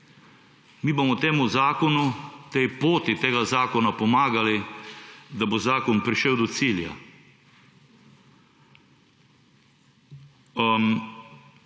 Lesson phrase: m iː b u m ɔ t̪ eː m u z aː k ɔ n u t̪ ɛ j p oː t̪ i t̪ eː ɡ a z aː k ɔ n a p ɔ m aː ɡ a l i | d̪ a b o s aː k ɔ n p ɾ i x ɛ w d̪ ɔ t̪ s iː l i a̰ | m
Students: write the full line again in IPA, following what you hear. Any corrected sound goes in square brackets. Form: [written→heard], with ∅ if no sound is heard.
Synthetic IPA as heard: m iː b [u→o] m ɔ t̪ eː m u z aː k ɔ n u t̪ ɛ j p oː t̪ i t̪ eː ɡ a z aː k ɔ n a p ɔ m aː ɡ a l i | d̪ a b o [s→z] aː k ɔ n p ɾ i [x→ʃ] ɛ w d̪ ɔ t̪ s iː l [i→j] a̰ | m